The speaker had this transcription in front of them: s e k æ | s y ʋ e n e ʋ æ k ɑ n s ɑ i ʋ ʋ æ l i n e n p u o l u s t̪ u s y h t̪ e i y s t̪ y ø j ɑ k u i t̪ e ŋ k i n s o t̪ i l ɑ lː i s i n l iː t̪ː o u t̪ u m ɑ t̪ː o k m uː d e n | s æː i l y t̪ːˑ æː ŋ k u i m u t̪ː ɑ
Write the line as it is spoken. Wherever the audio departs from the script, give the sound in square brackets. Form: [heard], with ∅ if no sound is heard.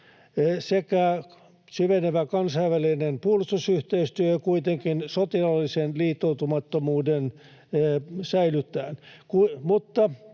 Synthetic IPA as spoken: s e k æ | s y ʋ e n e ʋ æ k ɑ n s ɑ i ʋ ʋ æ l i n e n p u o l u s t̪ u s y h t̪ e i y s t̪ y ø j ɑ k u i t̪ e ŋ k i n s o t̪ i l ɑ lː i s [e] n l iː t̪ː o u t̪ u m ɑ t̪ː o [∅] m uː d e n | s [æ] i l y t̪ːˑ æː [n] k u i m u t̪ː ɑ

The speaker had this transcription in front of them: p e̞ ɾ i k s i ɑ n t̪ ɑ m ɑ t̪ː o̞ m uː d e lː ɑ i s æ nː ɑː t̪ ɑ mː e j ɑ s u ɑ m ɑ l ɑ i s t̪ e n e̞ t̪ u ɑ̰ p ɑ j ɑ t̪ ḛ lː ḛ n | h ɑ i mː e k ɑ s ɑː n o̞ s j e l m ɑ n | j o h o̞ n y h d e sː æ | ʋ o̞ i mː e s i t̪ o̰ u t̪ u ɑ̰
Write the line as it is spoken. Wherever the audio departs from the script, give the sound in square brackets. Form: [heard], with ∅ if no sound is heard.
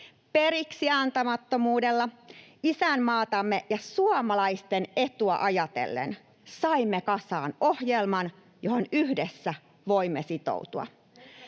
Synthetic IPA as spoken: p e̞ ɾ i k s i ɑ n t̪ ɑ m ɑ t̪ː o̞ m uː d e lː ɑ i s æ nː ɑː t̪ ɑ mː e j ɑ s u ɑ m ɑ l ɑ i s t̪ e n e̞ t̪ u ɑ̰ [ʔ] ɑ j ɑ t̪ ḛ lː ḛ n | [s] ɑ i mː e k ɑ s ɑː n o̞ [h] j e l m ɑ n | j o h o̞ n y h d e sː æ | ʋ o̞ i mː e s i t̪ o̰ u t̪ u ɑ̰

